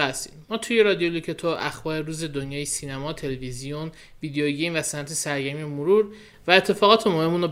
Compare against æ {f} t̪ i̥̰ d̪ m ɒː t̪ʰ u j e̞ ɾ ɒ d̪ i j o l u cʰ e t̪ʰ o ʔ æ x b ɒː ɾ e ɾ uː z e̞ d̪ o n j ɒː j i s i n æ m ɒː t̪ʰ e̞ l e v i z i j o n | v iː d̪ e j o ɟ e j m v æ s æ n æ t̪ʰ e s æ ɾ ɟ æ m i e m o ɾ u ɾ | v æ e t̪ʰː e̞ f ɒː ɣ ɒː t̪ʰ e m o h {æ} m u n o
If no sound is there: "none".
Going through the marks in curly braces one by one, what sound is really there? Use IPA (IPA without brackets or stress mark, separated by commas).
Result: s, e